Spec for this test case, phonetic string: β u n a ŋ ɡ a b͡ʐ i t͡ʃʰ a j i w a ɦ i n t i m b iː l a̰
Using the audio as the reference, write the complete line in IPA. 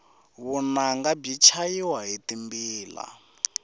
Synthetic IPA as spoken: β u n a ŋ ɡ a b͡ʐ i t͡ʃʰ a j i w a ɦ i t i m b iː l a̰